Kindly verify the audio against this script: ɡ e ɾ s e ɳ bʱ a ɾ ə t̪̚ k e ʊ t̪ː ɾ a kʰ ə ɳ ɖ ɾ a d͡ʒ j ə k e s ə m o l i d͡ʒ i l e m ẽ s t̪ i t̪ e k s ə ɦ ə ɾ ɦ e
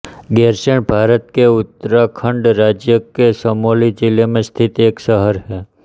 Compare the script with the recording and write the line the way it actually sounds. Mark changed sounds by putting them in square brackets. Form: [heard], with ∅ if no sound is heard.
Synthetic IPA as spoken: ɡ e ɾ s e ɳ bʱ a ɾ ə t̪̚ k e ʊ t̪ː ɾ a kʰ ə ɳ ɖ ɾ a d͡ʒ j ə k e s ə m o l i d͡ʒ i l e m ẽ s [t̪ʰ] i t̪ e k s ə ɦ ə ɾ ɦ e